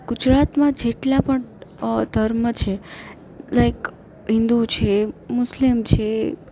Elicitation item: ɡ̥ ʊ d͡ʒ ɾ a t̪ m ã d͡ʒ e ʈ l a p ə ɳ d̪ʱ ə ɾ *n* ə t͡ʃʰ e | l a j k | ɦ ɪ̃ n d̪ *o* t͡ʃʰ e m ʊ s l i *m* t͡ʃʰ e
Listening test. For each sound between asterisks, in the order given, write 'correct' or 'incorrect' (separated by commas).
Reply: incorrect, incorrect, correct